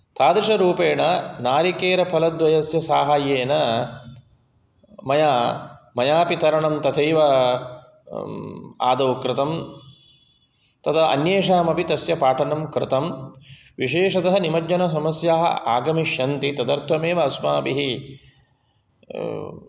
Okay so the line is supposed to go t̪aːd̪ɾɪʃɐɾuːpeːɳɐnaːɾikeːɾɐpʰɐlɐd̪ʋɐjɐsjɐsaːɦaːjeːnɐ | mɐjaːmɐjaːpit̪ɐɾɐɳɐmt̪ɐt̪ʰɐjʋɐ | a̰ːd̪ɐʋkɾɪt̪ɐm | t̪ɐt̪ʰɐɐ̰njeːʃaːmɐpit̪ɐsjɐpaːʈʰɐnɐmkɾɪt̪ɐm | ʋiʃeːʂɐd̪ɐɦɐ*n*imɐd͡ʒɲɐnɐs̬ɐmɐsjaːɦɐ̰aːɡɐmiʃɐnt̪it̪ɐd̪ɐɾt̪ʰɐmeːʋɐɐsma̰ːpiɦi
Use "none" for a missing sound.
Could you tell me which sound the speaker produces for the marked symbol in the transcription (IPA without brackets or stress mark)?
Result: n